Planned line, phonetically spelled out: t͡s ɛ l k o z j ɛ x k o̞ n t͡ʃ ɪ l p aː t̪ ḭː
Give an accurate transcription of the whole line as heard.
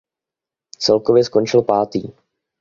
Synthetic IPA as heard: t͡s ɛ l k o v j ɛ s k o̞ n t͡ʃ ɪ l p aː t̪ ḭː